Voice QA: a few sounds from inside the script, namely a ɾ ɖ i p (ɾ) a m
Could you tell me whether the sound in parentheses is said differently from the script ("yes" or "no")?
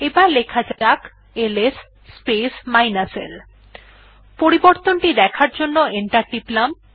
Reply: yes